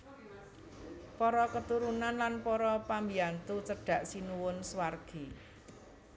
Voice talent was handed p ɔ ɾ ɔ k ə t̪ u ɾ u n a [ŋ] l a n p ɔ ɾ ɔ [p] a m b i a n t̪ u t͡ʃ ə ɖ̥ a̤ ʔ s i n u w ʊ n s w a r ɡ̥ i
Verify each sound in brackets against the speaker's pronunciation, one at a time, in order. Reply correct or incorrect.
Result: incorrect: n, correct

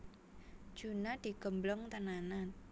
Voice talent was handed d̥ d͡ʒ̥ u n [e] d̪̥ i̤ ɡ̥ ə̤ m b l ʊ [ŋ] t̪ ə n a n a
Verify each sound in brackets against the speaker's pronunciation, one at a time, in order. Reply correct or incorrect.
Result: incorrect: a, correct

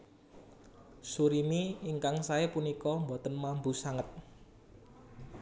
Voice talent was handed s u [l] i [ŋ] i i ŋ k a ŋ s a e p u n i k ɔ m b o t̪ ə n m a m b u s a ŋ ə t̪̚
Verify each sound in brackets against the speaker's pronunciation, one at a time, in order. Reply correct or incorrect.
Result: incorrect: ɾ, incorrect: m

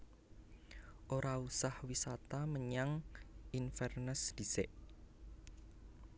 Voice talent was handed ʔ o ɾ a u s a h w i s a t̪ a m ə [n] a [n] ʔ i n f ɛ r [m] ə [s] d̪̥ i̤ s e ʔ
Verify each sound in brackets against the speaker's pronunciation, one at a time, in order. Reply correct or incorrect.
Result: incorrect: ɲ, incorrect: ŋ, incorrect: n, correct

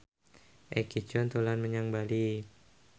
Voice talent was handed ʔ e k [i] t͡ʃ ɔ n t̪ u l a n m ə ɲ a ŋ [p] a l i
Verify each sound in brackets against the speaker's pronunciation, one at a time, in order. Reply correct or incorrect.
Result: correct, incorrect: b

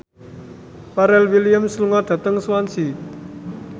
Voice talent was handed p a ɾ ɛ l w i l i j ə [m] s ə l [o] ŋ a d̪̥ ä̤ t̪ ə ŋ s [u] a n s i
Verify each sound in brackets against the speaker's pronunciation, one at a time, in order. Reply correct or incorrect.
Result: correct, incorrect: u, incorrect: w

